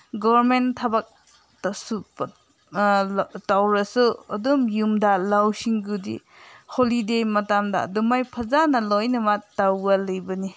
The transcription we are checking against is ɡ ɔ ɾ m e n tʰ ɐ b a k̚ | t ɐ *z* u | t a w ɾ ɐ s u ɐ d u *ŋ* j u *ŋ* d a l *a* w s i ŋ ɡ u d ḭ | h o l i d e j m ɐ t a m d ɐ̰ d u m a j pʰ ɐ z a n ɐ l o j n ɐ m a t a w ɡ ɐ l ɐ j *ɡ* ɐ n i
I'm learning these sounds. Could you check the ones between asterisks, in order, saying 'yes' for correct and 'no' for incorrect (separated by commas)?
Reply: no, no, no, yes, no